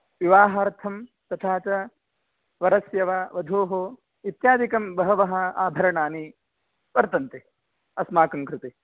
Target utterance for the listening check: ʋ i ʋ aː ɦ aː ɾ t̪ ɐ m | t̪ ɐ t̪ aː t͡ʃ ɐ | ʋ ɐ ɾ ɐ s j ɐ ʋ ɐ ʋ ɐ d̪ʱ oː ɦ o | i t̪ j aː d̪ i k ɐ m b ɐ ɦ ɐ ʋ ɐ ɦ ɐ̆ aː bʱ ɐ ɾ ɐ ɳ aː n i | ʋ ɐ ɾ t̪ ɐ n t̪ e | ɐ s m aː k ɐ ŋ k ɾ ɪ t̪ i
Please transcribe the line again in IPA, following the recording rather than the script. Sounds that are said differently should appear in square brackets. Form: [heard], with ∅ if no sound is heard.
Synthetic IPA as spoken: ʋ i ʋ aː ɦ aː ɾ [t̪ʰ] ɐ m | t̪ ɐ [t̪ʰ] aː t͡ʃ ɐ | ʋ ɐ ɾ ɐ s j ɐ ʋ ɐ ʋ ɐ d̪ʱ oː ɦ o | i t̪ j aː d̪ i k ɐ m b ɐ ɦ ɐ ʋ ɐ ɦ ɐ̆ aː bʱ ɐ ɾ ɐ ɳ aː n i | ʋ ɐ ɾ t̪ ɐ n t̪ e | ɐ s m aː k ɐ ŋ k ɾ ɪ t̪ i

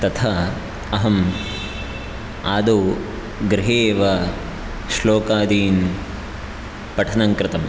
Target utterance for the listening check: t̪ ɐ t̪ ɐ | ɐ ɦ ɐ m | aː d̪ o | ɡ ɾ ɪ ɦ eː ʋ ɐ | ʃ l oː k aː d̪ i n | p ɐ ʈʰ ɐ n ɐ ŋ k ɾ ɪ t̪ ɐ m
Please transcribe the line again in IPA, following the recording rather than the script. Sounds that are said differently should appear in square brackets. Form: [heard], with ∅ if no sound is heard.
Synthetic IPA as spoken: t̪ ɐ [t̪ʰ] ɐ | ɐ ɦ ɐ m | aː d̪ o | ɡ ɾ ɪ ɦ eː ʋ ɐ | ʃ l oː k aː d̪ [iː] n | p ɐ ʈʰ ɐ n ɐ ŋ k ɾ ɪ t̪ ɐ m

